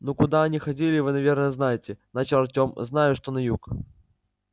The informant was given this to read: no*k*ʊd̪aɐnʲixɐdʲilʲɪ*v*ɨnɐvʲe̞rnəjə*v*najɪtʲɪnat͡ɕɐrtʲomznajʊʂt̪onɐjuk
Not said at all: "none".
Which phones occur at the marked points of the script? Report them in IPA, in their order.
k, v, z

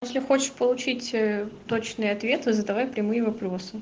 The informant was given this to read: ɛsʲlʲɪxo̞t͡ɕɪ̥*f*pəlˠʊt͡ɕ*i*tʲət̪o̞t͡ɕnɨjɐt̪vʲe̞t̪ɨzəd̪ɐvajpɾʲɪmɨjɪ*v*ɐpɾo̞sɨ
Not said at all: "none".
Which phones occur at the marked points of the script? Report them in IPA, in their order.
ʂ, i, v

